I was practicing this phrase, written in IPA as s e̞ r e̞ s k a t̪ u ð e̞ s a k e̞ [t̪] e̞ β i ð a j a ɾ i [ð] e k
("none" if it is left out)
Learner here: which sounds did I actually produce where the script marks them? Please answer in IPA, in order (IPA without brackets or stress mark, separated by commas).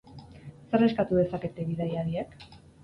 t̪, none